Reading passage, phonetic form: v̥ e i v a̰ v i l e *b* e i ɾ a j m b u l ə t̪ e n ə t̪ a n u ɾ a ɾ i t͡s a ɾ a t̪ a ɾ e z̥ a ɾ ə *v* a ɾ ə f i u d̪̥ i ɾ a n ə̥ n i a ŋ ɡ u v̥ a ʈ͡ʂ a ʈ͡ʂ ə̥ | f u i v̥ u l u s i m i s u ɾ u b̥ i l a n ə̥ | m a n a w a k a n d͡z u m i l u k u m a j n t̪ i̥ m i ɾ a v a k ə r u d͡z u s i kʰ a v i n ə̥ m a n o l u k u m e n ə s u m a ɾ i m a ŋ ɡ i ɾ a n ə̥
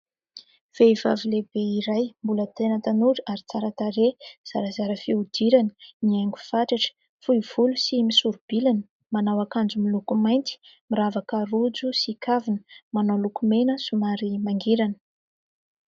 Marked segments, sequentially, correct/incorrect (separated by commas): correct, incorrect